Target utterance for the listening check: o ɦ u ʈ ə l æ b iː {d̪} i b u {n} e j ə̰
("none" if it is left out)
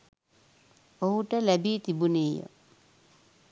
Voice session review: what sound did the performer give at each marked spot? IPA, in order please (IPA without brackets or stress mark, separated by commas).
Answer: t̪, n